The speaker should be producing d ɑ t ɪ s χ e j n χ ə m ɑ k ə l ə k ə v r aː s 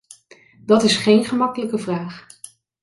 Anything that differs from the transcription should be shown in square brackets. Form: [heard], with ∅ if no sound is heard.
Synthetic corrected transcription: d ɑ t ɪ s χ e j n χ ə m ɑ k ə l ə k ə v r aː [χ]

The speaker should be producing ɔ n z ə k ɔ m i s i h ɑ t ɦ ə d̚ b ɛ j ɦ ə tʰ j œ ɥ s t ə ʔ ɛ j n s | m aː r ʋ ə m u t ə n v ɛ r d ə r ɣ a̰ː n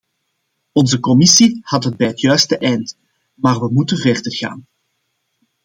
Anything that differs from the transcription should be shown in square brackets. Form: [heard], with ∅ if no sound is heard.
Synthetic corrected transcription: ɔ n z ə k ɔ m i s i h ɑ t ɦ ə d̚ b ɛ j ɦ ə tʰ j œ ɥ s t ə ʔ ɛ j n [t] | m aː r ʋ ə m u t ə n v ɛ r d ə r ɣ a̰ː n

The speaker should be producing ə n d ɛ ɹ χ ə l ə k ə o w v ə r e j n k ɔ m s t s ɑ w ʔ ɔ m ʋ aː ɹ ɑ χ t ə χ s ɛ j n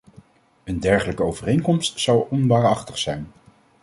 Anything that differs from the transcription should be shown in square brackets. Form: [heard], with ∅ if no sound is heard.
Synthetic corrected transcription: ə n d ɛ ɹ χ ə l ə k ə o w v ə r e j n k ɔ m s t s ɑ w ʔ ɔ [n] ʋ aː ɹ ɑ χ t ə χ s ɛ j n

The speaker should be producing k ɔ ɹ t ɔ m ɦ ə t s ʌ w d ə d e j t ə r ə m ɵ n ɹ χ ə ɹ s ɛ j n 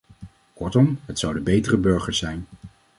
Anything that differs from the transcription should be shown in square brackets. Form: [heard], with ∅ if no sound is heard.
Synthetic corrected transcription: k ɔ ɹ t ɔ m ɦ ə t s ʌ w d ə [b] e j t ə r ə [b] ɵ [∅] ɹ χ ə ɹ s ɛ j n

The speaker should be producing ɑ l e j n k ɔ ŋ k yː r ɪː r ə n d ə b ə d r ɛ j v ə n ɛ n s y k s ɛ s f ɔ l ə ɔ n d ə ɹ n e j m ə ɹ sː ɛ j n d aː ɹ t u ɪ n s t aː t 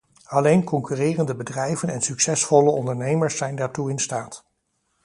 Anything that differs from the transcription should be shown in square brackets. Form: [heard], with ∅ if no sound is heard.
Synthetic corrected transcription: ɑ l e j n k ɔ ŋ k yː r ɪː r ə n d ə b ə d r ɛ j v ə n ɛ n s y k s ɛ s f ɔ l ə ɔ n d ə ɹ n e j m ə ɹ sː ɛ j n d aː ɹ t u ɪ n s t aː t

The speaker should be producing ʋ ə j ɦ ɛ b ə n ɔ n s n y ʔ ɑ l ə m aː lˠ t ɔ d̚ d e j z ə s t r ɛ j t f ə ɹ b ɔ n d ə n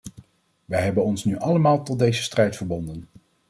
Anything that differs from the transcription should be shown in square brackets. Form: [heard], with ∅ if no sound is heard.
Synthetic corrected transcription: ʋ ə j ɦ ɛ b ə n ɔ n s n y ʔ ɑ l ə m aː lˠ t ɔ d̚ d e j z ə s t r ɛ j t f ə ɹ b ɔ n d ə n

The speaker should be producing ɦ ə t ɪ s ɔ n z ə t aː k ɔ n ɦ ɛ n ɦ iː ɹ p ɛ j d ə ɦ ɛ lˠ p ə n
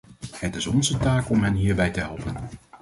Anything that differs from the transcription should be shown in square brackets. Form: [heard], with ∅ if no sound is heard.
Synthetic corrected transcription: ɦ ə t ɪ s ɔ n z ə t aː k ɔ [m] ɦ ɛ n ɦ iː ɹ [b] ɛ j [t] ə ɦ ɛ lˠ p ə n

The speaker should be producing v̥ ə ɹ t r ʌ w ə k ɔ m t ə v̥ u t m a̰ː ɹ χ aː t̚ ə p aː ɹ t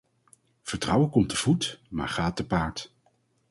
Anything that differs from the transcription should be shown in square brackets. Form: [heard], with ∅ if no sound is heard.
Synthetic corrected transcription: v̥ ə ɹ t r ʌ w ə k ɔ m t ə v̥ u t m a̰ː ɹ χ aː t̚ ə p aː ɹ t

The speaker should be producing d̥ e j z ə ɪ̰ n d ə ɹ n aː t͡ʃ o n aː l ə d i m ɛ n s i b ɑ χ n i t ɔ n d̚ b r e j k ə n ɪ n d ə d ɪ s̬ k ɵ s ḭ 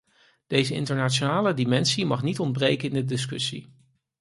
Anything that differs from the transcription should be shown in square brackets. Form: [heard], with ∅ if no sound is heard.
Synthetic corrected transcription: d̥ e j z ə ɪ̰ n [t] ə ɹ n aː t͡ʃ o n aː l ə d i m ɛ n s i [m] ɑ χ n i t ɔ n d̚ b r e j k ə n ɪ n d ə d ɪ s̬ k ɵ s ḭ

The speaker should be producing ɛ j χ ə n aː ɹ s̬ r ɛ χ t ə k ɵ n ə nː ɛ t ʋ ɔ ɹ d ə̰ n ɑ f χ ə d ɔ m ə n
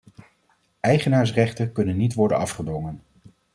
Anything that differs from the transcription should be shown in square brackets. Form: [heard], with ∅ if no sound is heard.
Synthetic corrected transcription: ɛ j χ ə n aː ɹ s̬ r ɛ χ t ə k ɵ n ə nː [i] t ʋ ɔ ɹ d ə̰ n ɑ f χ ə d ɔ [ŋ] ə n

